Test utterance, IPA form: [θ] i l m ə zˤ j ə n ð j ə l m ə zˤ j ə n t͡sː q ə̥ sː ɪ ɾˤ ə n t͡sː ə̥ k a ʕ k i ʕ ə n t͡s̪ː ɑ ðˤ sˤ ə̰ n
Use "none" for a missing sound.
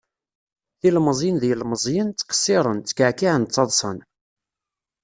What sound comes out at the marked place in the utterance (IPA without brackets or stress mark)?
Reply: θ